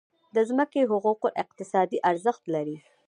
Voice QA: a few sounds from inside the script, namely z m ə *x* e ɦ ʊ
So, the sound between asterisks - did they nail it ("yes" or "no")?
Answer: no